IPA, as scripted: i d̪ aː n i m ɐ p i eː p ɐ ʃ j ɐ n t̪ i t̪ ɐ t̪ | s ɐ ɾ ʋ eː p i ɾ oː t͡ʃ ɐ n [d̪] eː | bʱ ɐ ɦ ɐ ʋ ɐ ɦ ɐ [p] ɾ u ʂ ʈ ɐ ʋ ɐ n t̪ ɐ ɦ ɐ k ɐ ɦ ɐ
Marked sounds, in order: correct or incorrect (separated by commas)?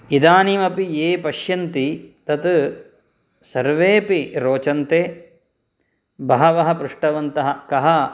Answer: incorrect, correct